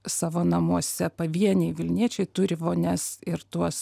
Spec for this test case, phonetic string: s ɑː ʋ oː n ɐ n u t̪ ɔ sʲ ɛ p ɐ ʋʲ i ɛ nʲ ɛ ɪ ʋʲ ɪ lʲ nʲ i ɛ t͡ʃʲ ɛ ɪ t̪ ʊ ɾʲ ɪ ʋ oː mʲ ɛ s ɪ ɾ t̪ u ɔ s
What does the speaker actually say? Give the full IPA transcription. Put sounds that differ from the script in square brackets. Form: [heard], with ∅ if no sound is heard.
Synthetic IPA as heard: s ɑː ʋ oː n ɐ [m] u [∅] ɔ sʲ ɛ p ɐ ʋʲ i ɛ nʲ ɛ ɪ ʋʲ ɪ lʲ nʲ i ɛ t͡ʃʲ ɛ ɪ t̪ ʊ ɾʲ ɪ ʋ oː [nʲ] ɛ s ɪ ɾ t̪ u ɔ s